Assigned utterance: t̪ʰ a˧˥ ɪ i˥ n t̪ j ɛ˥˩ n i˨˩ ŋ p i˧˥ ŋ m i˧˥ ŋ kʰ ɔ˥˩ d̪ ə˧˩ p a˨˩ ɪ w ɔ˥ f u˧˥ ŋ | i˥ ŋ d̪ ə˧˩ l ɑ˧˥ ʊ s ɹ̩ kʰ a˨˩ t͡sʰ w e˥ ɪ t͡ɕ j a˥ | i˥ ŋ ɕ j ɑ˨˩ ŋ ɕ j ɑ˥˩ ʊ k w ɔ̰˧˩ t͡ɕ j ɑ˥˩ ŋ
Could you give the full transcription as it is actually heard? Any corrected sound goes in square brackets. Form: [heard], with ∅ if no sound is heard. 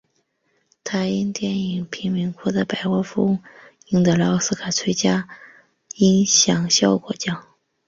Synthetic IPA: t̪ʰ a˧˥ ɪ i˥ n t̪ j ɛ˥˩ n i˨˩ ŋ [pʰ] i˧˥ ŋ m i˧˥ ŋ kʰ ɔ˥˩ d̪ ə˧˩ p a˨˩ ɪ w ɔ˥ f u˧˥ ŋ | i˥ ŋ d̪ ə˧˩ l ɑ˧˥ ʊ s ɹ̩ kʰ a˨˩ t͡sʰ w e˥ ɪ t͡ɕ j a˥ | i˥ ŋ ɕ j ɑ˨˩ ŋ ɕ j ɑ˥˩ ʊ k w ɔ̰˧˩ t͡ɕ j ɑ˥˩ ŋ